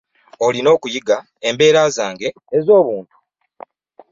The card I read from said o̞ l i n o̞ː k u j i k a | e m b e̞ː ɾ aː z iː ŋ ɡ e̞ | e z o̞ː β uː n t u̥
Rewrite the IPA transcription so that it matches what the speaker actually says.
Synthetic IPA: o̞ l i n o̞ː k u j i ɡ a | e m b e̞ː ɾ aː z aː ŋ ɡ e̞ | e z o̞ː β uː n t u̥